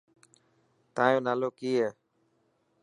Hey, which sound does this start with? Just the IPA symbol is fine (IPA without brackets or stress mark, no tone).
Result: t̪